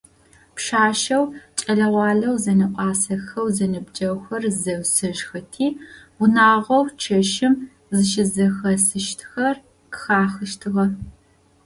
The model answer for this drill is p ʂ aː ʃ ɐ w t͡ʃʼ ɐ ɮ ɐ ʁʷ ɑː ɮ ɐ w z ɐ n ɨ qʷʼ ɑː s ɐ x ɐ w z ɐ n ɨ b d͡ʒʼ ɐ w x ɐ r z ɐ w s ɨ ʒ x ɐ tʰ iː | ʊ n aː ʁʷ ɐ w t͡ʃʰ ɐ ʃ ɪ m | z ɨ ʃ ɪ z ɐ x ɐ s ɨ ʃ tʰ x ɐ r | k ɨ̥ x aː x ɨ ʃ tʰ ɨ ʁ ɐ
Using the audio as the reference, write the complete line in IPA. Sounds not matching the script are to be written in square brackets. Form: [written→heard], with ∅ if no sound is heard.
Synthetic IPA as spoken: p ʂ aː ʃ ɐ w t͡ʃʼ ɐ ɮ ɐ ʁʷ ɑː ɮ ɐ w z ɐ n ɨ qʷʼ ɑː s ɐ x ɐ w z ɐ n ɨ b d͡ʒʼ ɐ w x ɐ r z ɐ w s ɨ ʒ x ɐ tʰ iː | ʊ n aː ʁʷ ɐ w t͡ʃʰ ɐ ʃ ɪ m | z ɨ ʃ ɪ z ɐ x ɐ s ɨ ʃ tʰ x ɐ r | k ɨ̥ x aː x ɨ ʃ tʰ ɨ ʁ ɐ